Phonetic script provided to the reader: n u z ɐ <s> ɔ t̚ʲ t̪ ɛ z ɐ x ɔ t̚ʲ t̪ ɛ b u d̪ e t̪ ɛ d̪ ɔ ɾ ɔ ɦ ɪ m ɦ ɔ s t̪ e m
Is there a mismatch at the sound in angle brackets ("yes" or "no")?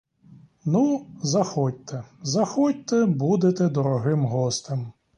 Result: yes